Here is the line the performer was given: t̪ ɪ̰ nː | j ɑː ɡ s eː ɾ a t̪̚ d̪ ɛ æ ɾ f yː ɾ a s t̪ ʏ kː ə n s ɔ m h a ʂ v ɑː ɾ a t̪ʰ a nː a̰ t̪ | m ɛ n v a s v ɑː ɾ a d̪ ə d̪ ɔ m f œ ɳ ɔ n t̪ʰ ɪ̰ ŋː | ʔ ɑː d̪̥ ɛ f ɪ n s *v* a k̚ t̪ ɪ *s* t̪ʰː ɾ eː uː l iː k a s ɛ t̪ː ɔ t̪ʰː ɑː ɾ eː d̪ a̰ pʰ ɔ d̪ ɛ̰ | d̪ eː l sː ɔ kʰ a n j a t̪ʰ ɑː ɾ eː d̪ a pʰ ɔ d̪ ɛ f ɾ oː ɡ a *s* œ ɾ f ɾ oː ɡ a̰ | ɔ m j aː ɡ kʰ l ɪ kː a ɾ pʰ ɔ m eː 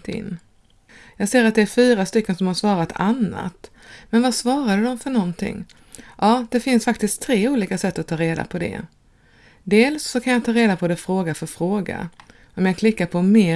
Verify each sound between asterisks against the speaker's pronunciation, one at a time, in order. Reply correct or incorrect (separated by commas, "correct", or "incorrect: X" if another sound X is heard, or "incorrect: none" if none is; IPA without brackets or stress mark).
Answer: incorrect: f, correct, incorrect: f